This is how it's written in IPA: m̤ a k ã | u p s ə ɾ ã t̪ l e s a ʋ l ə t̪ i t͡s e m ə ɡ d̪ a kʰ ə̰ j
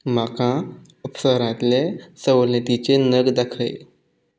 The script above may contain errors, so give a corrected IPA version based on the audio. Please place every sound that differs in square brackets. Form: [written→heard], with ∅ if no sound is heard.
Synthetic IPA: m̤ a k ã | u p s ə ɾ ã t̪ l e s [a→ə] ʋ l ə t̪ i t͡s e [m→n] ə ɡ d̪ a kʰ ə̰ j

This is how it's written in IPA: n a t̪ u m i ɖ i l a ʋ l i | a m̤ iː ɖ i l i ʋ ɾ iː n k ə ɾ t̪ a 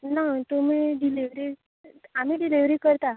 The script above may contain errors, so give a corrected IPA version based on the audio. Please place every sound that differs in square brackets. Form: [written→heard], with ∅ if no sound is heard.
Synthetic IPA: n a t̪ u m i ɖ i l [a→i] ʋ [l→ɾ] i | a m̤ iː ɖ i l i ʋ ɾ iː [n→∅] k ə ɾ t̪ a

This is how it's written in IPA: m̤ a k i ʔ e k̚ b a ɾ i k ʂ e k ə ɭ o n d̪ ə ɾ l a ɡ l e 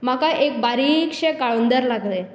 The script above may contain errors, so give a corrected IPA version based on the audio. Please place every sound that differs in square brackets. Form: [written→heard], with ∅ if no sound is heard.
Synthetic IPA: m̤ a k [i→a] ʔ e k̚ b a ɾ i k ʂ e k [ə→a] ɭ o n d̪ ə ɾ l a ɡ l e

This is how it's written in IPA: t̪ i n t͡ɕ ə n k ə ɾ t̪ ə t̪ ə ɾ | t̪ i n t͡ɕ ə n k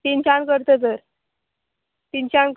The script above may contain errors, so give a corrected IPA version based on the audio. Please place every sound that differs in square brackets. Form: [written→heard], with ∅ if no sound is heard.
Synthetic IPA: t̪ i n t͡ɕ [ə→a] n k ə ɾ t̪ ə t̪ ə ɾ | t̪ i n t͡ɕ [ə→a] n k

